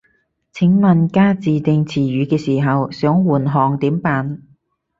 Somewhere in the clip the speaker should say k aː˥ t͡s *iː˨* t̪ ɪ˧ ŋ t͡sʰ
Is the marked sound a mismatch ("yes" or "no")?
no